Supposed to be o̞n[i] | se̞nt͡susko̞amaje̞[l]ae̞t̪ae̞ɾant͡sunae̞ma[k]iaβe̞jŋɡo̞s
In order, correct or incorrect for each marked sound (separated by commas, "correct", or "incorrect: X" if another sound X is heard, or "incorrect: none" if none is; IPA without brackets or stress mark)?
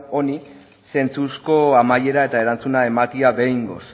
correct, incorrect: ɾ, correct